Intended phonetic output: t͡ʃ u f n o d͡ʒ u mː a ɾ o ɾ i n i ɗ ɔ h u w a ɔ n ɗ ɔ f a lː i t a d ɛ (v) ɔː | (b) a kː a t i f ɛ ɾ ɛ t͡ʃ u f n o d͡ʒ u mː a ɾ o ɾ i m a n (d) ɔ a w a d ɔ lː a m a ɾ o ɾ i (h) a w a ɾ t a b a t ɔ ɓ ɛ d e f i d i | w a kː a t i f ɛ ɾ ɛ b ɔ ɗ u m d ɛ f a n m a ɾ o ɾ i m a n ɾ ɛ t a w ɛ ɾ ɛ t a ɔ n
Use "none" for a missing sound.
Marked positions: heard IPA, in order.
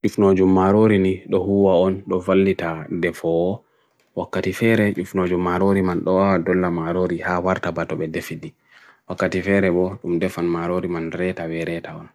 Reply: f, w, ɗ, h

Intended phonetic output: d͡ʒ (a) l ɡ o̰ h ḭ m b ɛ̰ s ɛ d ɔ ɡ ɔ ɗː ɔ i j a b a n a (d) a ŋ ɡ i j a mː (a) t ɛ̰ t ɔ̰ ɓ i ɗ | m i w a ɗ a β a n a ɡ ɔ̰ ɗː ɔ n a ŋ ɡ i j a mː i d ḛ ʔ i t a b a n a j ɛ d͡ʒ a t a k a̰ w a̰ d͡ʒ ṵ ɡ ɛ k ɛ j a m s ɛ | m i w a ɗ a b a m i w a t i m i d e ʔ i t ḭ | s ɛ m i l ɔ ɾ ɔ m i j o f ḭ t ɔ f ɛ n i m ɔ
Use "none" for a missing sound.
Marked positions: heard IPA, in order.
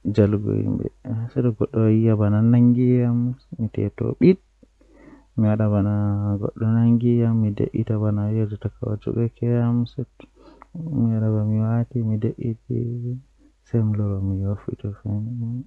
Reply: a, n, i

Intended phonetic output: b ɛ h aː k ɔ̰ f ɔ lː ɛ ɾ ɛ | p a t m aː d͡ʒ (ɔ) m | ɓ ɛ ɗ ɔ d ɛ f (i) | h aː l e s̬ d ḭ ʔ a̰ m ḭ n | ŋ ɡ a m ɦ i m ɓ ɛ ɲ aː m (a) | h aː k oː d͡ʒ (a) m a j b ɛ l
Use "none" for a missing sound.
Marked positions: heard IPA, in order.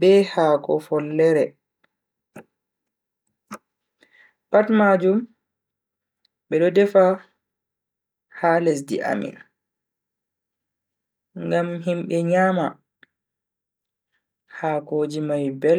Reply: u, a, a, i

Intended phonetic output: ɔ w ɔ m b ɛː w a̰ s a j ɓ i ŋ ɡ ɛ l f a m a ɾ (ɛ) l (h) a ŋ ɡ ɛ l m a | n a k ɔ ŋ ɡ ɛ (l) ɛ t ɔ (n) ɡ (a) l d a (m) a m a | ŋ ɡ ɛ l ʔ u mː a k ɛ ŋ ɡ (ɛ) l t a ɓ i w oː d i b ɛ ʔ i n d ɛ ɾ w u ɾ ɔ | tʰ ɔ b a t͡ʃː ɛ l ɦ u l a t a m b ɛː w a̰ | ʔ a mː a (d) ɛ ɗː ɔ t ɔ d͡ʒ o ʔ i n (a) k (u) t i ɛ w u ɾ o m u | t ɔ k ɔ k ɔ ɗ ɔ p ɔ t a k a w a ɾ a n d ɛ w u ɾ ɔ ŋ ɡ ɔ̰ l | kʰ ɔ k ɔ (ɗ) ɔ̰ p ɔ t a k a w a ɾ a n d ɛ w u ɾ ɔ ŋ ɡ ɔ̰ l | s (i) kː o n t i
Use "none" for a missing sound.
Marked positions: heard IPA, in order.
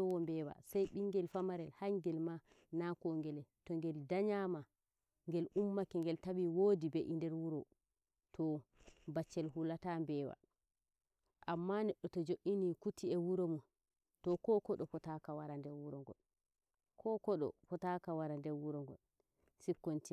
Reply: ɛ, h, l, ŋ, ɛ, ɲ, ɛ, n, i, u, ɗ, i

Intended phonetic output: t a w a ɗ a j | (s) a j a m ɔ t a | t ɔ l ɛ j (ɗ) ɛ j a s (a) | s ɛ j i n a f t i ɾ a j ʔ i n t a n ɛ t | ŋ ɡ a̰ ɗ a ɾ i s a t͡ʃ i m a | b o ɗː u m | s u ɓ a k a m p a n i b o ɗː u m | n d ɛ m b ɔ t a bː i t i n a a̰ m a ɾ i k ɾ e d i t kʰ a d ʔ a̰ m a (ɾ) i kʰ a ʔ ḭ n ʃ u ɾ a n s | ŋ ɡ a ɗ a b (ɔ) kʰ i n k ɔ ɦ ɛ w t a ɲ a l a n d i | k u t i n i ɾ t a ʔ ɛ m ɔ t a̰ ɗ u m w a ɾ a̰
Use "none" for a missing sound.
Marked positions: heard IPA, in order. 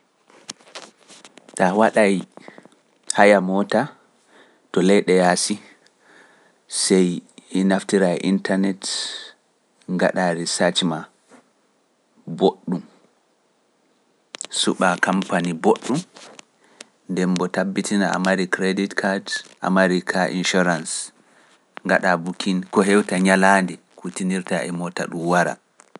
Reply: h, ɗ, i, ɾ, u

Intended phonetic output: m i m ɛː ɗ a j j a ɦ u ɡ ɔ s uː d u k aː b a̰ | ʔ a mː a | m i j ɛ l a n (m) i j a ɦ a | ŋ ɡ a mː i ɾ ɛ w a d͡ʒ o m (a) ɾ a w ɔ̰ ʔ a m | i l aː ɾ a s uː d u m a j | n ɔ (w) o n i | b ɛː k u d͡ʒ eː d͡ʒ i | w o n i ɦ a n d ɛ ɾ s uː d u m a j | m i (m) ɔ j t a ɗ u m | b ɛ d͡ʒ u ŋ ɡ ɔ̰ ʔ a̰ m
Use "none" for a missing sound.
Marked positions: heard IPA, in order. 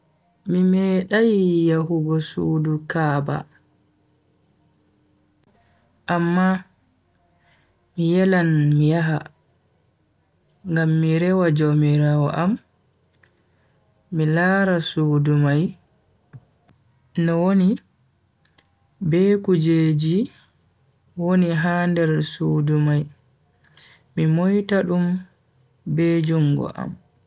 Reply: m, i, w, m

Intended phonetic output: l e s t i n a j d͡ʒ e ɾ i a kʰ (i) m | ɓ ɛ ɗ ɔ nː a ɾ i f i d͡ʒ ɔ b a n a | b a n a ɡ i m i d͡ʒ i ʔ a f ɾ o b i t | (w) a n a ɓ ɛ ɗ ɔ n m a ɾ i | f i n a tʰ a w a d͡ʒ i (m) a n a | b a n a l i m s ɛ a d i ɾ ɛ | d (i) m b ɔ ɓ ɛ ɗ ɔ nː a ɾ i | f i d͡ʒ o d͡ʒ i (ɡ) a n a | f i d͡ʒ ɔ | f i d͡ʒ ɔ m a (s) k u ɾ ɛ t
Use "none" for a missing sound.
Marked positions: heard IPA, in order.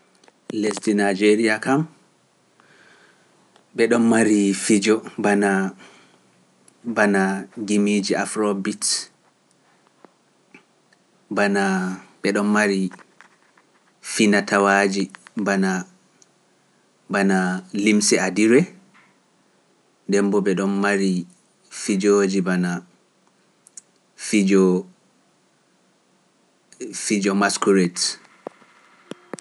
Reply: a, b, b, ɛ, b, s

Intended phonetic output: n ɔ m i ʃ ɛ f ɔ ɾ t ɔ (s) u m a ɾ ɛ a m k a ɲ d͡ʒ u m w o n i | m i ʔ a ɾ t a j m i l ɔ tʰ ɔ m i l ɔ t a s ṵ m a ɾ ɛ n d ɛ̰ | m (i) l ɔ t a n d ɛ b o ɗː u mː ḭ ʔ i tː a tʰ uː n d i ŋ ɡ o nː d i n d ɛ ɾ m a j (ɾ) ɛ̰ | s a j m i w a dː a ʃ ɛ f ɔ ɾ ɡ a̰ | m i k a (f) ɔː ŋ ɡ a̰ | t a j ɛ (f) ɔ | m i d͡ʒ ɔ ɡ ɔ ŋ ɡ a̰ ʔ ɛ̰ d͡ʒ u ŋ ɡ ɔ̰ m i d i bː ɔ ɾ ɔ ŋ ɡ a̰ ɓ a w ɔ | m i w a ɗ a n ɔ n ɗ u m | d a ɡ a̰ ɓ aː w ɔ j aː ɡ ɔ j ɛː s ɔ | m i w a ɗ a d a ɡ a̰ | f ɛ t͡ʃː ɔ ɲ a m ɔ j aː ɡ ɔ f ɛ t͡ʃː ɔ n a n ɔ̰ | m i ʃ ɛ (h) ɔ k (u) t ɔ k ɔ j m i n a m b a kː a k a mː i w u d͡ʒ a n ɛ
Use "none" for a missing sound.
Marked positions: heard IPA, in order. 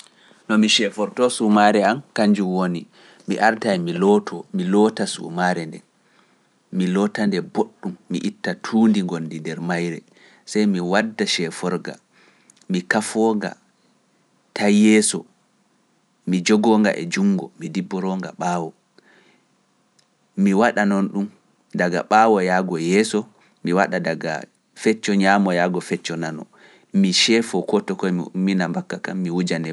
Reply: s, i, ɾ, f, s, f, ɔ

